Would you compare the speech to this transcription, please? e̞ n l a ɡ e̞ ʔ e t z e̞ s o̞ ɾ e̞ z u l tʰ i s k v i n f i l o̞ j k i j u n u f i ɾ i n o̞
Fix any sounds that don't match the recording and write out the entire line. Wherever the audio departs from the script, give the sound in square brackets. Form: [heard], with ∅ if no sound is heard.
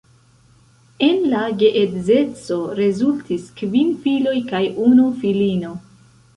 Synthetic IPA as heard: e̞ n l a ɡ e̞ ʔ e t z e̞ [t͡s] o̞ ɾ e̞ z u l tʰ i s k v i n f i l o̞ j k [a] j u n u f i [l] i n o̞